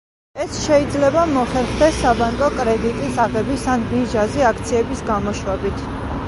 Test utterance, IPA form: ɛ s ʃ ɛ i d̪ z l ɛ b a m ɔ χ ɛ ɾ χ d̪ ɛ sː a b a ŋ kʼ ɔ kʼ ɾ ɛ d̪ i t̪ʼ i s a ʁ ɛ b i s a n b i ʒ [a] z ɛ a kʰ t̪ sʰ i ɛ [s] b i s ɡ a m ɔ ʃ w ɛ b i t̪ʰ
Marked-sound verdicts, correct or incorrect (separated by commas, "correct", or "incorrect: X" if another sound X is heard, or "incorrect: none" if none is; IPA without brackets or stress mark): correct, incorrect: none